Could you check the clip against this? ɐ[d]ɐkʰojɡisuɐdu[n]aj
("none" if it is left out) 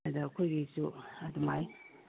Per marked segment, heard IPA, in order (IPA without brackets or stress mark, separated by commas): d, m